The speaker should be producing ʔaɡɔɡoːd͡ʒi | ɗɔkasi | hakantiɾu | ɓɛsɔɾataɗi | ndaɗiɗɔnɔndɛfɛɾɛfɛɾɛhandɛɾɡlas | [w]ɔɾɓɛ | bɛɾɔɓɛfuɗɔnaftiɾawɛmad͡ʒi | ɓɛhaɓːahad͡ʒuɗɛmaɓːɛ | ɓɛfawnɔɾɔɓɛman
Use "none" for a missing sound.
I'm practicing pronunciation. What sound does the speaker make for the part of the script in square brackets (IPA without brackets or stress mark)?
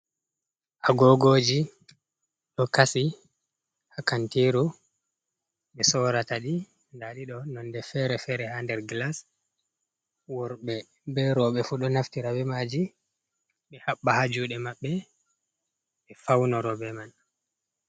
w